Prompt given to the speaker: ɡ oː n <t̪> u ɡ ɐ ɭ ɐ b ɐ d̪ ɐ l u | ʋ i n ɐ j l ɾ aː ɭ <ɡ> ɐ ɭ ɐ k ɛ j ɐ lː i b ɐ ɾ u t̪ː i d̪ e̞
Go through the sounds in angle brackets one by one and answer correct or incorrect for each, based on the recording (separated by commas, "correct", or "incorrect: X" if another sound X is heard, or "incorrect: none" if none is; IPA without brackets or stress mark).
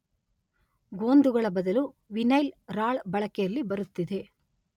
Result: incorrect: d̪, incorrect: b